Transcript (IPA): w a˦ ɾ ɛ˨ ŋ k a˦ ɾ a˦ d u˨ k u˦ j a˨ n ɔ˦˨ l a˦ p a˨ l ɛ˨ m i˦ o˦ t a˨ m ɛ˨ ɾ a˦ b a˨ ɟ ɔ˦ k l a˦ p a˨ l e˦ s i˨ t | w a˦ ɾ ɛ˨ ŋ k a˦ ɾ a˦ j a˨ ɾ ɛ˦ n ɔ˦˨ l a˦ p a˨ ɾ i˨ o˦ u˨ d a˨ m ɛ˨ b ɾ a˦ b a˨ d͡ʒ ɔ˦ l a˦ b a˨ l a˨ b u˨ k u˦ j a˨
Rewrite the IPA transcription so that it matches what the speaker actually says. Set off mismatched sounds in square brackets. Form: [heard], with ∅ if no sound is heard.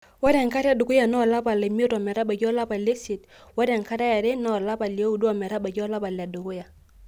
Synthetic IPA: w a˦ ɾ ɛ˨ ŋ k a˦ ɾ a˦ d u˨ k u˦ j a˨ n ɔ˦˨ l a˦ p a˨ l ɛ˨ m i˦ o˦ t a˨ m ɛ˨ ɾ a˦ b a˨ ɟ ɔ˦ [∅] l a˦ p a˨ l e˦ s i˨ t | w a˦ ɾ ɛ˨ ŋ k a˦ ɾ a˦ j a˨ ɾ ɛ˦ n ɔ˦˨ l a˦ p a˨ [l] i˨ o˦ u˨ d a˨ m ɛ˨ [∅] ɾ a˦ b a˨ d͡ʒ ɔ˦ l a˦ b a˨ l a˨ [d] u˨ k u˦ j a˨

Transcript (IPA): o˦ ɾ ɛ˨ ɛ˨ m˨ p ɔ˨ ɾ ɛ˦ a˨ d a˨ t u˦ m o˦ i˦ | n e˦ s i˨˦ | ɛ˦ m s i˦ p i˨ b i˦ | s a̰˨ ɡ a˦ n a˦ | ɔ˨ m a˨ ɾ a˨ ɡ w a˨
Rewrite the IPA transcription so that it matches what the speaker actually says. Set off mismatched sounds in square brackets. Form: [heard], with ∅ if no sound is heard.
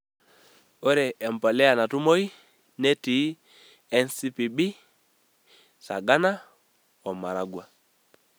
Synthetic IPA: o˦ ɾ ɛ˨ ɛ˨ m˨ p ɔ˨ [l] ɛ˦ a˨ [n] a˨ t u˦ m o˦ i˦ | n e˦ [t] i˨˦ | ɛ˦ [n] s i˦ p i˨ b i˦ | s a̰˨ ɡ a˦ n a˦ | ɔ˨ m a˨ ɾ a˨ ɡ w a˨

